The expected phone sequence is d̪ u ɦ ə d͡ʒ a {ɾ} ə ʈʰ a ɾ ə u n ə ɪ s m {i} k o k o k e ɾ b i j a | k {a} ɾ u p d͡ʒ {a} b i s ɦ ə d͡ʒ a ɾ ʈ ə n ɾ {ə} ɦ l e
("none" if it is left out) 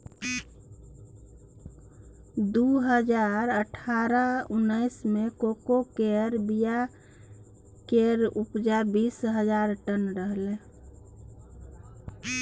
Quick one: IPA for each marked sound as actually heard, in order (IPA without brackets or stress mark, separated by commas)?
ɾ, e, e, a, ə